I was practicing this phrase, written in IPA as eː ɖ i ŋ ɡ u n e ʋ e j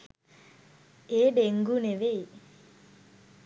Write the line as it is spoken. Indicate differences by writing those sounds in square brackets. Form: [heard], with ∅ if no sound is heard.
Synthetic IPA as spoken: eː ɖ [e] ŋ ɡ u n e ʋ e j